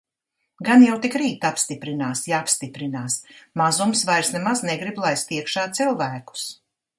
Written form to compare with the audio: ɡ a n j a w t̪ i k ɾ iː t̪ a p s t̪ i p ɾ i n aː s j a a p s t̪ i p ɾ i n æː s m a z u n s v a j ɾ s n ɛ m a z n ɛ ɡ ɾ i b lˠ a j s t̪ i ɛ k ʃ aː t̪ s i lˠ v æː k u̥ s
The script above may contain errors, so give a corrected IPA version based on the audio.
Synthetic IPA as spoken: ɡ a n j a w t̪ i k ɾ iː t̪ a p s t̪ i p ɾ i n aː s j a a p s t̪ i p ɾ i n aː s m a z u m s v a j ɾ s n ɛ m a z n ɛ ɡ ɾ i b lˠ a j s t̪ i ɛ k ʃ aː t̪ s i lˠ v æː k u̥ s